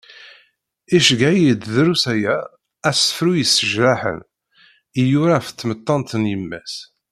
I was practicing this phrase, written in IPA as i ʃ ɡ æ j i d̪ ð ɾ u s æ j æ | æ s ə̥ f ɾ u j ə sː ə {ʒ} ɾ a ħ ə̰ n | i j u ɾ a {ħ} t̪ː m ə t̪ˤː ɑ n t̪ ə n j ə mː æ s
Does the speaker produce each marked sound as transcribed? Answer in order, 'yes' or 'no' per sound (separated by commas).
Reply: yes, no